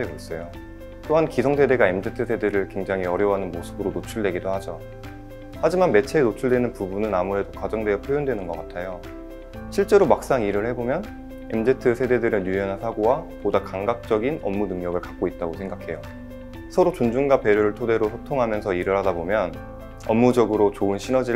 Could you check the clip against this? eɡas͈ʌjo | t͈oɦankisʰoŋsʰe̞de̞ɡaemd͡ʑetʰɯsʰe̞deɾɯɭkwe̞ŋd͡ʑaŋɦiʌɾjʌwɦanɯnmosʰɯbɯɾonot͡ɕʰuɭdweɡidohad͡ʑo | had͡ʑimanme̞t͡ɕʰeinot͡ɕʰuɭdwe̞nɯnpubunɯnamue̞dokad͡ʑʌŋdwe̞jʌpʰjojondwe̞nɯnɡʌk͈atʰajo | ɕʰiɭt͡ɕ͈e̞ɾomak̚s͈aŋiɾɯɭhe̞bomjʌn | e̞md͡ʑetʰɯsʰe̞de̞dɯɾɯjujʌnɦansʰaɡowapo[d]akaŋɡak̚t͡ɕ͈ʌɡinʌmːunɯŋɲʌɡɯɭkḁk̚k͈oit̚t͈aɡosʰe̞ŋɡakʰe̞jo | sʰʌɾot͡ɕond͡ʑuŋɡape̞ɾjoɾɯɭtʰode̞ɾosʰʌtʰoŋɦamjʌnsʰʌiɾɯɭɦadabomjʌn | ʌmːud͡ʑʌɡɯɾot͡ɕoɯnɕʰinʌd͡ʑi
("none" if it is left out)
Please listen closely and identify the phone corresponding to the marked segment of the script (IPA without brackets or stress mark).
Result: d